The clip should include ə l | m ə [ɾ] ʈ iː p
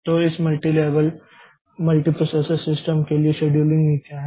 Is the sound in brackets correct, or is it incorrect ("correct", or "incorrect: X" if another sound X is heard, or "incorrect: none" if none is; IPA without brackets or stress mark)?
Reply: incorrect: l